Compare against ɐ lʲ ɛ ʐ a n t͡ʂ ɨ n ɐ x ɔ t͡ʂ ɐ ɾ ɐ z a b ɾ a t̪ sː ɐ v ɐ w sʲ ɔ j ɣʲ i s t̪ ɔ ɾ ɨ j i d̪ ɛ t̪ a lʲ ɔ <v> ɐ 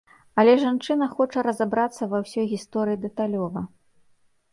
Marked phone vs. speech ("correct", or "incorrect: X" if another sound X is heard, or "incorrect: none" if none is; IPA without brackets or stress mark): correct